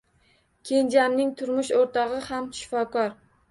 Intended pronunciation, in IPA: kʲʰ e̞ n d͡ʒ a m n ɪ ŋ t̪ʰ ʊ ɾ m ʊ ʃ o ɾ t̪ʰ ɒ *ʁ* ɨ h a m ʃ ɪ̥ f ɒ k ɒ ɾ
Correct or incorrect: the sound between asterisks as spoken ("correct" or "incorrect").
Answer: correct